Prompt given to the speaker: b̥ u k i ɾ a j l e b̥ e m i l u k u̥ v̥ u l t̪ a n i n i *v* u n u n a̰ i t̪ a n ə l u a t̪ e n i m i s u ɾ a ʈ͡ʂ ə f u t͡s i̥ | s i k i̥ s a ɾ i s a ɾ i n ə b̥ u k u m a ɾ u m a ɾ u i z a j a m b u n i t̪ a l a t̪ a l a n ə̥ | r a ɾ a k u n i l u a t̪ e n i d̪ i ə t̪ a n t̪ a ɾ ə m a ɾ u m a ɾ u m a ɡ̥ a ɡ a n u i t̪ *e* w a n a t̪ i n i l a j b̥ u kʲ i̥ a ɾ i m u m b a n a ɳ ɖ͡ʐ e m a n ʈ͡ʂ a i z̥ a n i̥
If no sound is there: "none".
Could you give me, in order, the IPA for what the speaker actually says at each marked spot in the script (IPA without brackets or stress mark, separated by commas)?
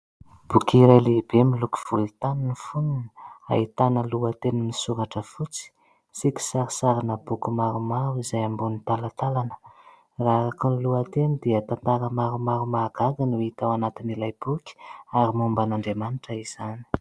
f, a